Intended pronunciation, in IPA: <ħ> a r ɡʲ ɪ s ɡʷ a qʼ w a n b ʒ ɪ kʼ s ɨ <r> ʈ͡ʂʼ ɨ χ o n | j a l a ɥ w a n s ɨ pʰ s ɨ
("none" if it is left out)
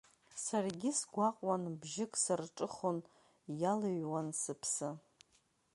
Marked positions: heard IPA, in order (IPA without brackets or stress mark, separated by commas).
s, r